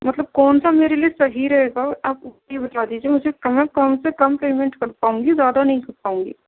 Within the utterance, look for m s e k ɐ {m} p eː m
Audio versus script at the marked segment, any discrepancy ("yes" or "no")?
no